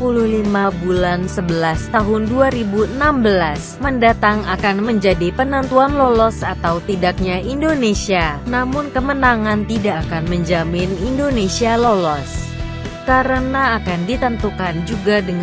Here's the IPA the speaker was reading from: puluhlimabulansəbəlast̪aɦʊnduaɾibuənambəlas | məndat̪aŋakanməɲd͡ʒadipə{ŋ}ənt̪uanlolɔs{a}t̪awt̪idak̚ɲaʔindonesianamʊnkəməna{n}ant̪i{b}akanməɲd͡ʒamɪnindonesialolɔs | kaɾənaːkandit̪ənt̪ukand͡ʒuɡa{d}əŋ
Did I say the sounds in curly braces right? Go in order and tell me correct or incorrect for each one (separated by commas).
incorrect, correct, incorrect, incorrect, correct